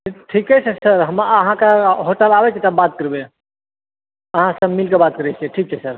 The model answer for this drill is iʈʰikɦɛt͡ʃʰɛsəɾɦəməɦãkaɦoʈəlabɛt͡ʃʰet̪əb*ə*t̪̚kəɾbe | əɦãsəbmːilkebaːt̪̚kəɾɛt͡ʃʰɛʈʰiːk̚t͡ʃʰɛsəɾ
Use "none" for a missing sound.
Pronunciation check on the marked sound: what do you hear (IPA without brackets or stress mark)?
a